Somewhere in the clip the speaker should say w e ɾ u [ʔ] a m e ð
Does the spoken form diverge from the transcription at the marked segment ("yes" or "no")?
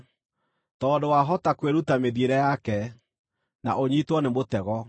yes